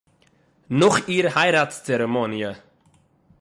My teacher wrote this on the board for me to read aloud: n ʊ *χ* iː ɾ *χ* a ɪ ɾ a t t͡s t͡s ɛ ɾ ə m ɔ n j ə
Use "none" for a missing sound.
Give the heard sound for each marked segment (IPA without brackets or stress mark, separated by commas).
χ, h